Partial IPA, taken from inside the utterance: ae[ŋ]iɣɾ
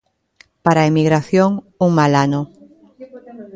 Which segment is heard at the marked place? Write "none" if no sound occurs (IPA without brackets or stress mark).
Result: m